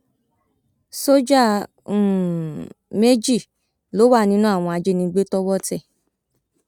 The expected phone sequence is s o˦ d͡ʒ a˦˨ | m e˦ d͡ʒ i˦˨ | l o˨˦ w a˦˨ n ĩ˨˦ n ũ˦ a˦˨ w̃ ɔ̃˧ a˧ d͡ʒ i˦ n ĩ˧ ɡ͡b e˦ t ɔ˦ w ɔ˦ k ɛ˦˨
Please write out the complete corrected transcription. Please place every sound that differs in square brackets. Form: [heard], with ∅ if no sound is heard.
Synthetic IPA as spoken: s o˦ d͡ʒ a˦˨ | m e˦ d͡ʒ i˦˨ | l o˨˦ w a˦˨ n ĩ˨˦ n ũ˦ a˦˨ w̃ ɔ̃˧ a˧ d͡ʒ [e˦] n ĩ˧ ɡ͡b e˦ t ɔ˦ w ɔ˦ [t] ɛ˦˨